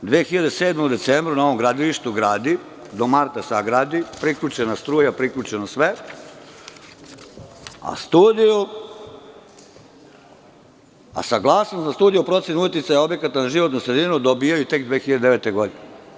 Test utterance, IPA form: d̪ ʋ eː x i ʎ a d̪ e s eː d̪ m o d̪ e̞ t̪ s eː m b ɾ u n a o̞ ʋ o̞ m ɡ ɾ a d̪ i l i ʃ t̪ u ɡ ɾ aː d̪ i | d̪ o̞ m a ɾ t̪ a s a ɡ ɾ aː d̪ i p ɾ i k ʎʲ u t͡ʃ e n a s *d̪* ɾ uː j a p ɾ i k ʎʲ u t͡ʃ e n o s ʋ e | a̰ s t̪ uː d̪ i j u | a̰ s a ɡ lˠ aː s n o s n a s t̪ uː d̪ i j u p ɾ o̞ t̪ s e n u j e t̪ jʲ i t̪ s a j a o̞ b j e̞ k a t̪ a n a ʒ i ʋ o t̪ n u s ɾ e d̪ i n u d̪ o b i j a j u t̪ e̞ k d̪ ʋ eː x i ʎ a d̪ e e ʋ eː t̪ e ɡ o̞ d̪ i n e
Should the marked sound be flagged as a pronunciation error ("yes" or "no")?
yes